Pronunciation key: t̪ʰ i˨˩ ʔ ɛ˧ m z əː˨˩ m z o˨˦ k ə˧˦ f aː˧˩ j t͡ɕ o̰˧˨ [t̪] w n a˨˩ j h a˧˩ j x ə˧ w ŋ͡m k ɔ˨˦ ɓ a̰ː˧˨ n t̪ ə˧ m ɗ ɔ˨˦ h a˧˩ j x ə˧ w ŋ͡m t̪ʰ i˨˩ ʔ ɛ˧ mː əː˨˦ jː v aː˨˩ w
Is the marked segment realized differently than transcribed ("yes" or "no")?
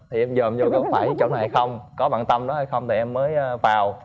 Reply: yes